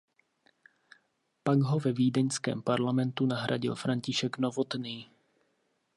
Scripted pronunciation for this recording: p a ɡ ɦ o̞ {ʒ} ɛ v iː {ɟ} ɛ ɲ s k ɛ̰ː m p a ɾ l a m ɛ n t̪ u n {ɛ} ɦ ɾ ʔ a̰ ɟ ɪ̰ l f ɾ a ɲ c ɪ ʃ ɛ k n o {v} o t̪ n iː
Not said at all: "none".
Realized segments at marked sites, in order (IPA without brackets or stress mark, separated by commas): v, d, a, v